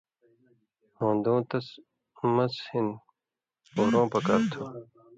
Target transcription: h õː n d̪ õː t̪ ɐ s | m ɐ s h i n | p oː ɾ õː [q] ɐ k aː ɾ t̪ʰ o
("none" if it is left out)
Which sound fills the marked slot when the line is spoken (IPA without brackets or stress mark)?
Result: p